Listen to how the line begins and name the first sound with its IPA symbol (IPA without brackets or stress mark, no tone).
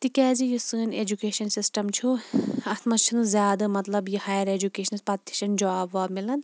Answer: t̪